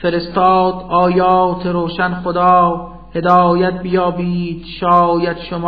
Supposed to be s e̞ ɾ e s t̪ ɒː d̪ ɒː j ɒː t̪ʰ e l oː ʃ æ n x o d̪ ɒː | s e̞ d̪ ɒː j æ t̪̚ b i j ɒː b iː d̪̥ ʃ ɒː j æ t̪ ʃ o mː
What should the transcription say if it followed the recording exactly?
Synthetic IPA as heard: f e̞ ɾ e s t̪ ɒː d̪ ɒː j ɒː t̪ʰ e ɾ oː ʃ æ n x o d̪ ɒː | h e̞ d̪ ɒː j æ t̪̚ b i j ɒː b iː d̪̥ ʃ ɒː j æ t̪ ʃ o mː